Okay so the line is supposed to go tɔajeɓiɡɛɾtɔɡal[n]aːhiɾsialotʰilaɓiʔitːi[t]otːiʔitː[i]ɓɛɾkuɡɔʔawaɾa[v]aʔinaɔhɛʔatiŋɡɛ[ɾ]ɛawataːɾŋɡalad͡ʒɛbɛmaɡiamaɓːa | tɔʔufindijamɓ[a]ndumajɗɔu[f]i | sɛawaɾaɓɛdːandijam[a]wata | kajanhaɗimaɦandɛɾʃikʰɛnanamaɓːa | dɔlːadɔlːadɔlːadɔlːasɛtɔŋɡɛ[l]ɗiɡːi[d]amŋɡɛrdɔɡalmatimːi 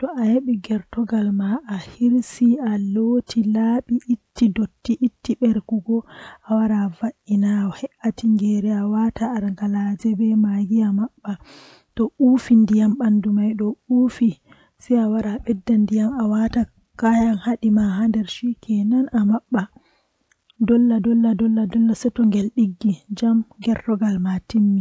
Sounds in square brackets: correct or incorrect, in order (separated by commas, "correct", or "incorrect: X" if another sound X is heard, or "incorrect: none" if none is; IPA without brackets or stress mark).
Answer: incorrect: m, incorrect: d, correct, correct, correct, correct, correct, correct, correct, incorrect: d͡ʒ